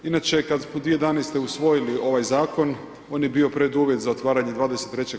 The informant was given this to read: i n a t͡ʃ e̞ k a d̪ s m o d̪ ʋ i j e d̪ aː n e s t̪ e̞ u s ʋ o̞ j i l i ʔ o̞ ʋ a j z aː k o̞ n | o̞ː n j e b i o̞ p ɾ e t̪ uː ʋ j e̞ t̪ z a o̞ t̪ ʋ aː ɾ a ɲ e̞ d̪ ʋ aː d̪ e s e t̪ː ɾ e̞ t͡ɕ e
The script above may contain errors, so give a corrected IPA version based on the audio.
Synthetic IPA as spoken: i n a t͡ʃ e̞ k a d̪ s m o d̪ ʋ i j e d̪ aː n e s t̪ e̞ u s ʋ o̞ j i l i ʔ o̞ ʋ a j z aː k o̞ n | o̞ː n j e b i o̞ p ɾ e d̪ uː ʋ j e̞ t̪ z a o̞ t̪ ʋ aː ɾ a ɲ e̞ d̪ ʋ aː d̪ e s e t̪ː ɾ e̞ t͡ɕ e